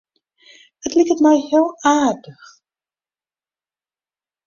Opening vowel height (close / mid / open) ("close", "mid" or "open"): mid